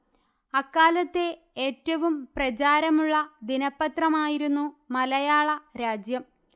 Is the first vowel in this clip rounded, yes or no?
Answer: no